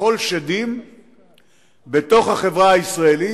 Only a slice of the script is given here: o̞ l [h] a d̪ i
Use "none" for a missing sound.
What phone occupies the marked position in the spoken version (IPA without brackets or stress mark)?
ʃ